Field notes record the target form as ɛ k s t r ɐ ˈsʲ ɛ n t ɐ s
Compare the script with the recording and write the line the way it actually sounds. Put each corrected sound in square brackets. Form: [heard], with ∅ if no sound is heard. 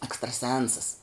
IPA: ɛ k s t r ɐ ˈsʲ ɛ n [s] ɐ s